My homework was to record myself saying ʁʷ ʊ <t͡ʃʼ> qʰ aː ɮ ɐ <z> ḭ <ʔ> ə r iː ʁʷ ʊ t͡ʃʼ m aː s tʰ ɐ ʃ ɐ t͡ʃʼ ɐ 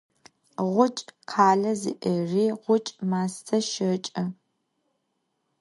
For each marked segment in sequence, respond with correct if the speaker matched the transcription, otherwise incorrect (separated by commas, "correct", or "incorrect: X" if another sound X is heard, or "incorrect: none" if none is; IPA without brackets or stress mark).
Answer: correct, correct, correct